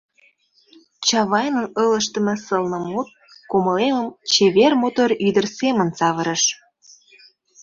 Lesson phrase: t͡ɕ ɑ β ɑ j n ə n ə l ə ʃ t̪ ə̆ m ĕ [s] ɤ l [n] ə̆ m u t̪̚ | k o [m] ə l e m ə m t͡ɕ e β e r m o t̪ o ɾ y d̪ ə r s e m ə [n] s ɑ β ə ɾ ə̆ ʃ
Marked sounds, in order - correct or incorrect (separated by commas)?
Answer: correct, correct, correct, correct